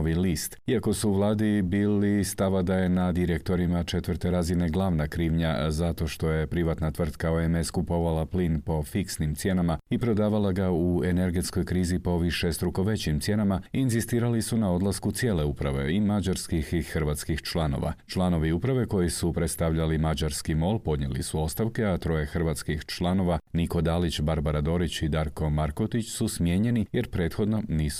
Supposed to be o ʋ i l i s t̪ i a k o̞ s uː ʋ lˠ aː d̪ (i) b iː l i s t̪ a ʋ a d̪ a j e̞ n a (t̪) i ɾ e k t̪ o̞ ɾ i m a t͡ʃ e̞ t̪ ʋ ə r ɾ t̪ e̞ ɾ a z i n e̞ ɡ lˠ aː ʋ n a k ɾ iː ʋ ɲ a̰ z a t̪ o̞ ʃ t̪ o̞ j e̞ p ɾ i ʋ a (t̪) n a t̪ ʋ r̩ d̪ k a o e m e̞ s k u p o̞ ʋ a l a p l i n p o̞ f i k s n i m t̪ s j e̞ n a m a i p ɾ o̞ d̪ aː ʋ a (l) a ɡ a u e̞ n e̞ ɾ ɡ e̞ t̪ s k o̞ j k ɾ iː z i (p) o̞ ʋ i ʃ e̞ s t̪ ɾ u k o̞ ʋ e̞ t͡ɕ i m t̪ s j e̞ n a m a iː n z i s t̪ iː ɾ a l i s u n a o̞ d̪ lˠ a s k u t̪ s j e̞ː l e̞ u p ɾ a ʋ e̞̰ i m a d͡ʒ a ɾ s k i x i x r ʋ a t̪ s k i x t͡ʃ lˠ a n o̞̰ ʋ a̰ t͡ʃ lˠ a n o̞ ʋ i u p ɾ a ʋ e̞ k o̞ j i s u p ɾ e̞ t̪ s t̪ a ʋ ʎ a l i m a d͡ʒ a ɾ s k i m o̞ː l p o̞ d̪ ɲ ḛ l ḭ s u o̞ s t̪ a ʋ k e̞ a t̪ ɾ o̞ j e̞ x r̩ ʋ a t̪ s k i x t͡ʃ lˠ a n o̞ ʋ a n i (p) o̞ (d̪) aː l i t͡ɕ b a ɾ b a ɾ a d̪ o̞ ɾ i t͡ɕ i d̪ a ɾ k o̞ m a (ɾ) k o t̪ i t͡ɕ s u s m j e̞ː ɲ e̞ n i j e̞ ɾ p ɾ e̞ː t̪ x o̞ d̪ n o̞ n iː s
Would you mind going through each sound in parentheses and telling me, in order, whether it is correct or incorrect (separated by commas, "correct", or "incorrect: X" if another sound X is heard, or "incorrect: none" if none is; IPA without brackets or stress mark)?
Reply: correct, incorrect: d̪, correct, correct, correct, incorrect: k, correct, correct